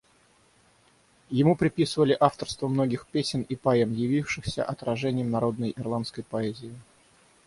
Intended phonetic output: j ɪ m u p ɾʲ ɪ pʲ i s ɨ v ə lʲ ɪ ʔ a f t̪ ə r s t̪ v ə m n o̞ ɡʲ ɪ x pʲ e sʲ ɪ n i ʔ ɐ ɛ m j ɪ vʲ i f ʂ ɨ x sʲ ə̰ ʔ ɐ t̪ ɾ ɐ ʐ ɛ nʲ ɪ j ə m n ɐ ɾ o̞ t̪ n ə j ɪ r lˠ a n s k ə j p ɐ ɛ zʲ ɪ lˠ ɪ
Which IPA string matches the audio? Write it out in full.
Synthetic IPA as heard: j ɪ m u p ɾʲ ɪ pʲ i s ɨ v ə lʲ ɪ ʔ a f t̪ ə r s t̪ v ə m n o̞ ɡʲ ɪ x pʲ e sʲ ɪ n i p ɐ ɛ m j ɪ vʲ i f ʂ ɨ x sʲ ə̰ ʔ ɐ t̪ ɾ ɐ ʐ ɛ nʲ ɪ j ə m n ɐ ɾ o̞ d̪ n ə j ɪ r lˠ a n s k ə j p ɐ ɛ zʲ ɪ ɪ